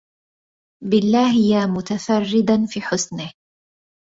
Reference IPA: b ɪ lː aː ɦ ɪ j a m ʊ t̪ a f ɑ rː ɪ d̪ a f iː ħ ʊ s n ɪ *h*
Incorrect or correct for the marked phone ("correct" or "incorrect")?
correct